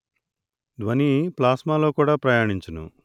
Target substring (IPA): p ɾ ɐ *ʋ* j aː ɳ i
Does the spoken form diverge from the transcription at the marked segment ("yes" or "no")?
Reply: yes